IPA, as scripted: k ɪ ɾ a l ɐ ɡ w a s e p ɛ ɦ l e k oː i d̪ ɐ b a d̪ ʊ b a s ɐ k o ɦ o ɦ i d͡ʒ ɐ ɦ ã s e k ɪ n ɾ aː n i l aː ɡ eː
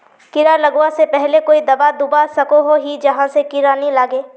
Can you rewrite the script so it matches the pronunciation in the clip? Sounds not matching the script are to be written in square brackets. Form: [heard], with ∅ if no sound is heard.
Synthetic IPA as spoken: k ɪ ɾ a l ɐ ɡ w a s e p ɛ ɦ l e k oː i d̪ ɐ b a d̪ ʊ b a s ɐ k o ɦ o ɦ i d͡ʒ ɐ ɦ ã s e k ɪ [∅] ɾ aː n i l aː ɡ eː